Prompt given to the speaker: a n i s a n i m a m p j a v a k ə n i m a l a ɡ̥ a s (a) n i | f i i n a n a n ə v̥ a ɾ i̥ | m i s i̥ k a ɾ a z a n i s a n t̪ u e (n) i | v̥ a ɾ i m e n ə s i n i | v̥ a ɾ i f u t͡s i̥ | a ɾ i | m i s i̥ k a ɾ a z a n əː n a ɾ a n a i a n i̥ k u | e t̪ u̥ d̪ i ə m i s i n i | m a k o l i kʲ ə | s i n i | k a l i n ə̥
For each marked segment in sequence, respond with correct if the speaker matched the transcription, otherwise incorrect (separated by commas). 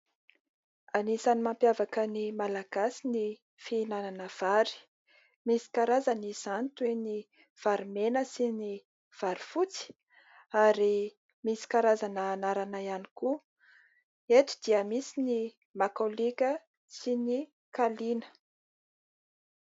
incorrect, correct